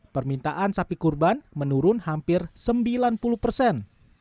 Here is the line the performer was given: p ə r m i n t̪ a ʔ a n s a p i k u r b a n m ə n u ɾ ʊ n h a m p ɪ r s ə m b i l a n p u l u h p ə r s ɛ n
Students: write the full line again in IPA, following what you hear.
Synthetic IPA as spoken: p ə r m i n t̪ a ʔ a n s a p i k u r b a n m ə n u ɾ ʊ n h a m p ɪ r s ə m b i l a n p u l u h p ə r s ɛ n